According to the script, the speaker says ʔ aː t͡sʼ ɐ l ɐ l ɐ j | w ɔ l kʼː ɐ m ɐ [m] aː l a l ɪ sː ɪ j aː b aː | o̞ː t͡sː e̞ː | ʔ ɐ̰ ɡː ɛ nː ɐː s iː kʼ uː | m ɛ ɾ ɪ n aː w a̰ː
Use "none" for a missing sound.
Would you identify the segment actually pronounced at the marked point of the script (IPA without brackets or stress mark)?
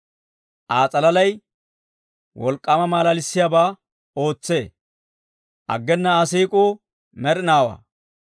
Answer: m